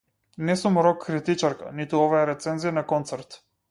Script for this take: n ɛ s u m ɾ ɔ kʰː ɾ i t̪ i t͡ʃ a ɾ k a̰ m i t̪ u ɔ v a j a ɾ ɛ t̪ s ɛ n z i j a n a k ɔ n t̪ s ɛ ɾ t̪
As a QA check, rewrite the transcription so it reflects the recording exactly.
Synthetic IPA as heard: n ɛ s u m ɾ ɔ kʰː ɾ i t̪ i t͡ʃ a ɾ k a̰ n i t̪ u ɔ v a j a ɾ ɛ t̪ s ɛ n z i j a n a k ɔ n t̪ s ɛ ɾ t̪